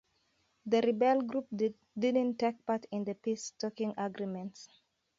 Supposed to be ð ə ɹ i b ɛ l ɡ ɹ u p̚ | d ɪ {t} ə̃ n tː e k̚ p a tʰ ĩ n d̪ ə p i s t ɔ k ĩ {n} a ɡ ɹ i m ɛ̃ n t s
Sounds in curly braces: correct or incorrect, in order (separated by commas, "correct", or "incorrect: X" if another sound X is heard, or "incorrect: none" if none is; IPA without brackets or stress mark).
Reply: incorrect: d, incorrect: ŋ